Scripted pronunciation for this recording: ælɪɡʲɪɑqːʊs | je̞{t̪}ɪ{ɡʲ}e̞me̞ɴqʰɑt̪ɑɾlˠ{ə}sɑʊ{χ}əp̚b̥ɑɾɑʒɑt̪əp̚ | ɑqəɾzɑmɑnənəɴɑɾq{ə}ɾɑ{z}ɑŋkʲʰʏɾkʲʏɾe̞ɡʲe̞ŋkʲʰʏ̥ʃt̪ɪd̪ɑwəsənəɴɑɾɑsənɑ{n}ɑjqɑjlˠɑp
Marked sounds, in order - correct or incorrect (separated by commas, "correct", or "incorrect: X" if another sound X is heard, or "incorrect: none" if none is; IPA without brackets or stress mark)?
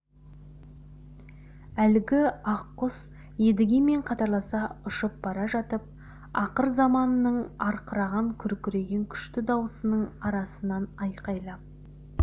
incorrect: d̪, correct, incorrect: ɑ, incorrect: ʃ, correct, incorrect: ʁ, correct